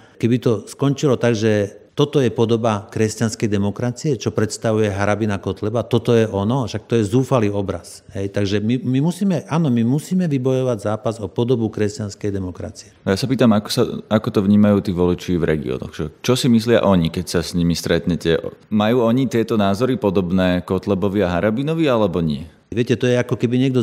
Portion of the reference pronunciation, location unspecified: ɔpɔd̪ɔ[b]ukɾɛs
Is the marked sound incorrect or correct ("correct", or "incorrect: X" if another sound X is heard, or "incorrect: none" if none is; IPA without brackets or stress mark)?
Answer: correct